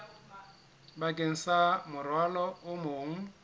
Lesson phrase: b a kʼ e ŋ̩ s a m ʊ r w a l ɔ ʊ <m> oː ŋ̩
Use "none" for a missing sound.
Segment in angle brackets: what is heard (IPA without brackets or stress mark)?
m